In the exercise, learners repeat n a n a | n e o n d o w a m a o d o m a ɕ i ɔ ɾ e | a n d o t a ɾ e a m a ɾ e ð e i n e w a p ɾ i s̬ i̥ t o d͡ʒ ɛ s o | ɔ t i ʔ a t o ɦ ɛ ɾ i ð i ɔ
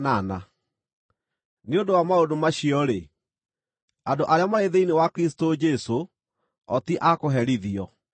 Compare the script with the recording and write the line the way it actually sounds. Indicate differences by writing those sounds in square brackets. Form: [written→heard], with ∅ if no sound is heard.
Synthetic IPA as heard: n a n a | n e o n d o w a m a o d o m a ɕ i ɔ ɾ e | a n d o [t→ʔ] a ɾ e a m a ɾ e ð e i n e w a [p→k] ɾ i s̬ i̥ t o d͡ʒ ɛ s o | ɔ t i ʔ a [t→k] o ɦ ɛ ɾ i ð i ɔ